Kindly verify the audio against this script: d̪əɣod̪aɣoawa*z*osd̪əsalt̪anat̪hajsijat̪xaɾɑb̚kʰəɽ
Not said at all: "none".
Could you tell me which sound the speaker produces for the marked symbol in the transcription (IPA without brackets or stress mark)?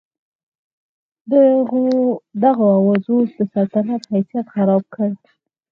z